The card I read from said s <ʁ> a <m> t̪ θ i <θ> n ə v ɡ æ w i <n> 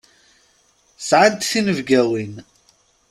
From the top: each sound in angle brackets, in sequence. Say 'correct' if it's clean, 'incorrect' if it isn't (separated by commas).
incorrect, incorrect, incorrect, correct